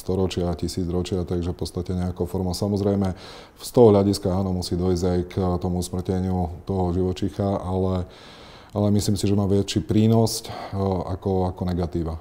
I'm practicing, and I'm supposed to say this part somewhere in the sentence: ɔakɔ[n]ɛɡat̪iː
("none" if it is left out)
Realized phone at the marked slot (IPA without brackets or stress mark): n